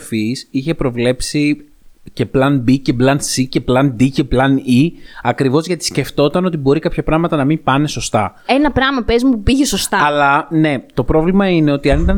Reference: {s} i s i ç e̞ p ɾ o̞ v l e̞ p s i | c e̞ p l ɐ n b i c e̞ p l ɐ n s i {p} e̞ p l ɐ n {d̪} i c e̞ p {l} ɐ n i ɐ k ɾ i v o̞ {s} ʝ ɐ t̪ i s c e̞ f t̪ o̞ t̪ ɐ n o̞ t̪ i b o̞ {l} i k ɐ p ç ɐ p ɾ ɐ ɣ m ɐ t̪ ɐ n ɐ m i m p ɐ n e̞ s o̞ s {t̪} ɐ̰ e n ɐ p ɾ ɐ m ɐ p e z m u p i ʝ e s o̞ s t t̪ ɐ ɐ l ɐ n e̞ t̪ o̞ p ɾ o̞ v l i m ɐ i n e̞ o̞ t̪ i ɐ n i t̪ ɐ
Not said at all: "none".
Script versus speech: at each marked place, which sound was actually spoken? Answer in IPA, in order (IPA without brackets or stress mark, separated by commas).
f, c, d̪, l, z, ɾ, t̪